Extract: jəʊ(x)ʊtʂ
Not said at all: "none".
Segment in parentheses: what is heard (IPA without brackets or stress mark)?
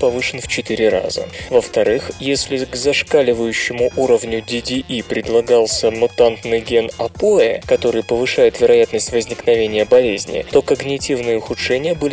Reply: x